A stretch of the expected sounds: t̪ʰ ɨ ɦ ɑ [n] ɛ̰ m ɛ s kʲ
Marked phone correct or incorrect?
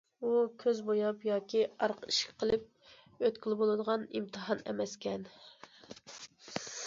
correct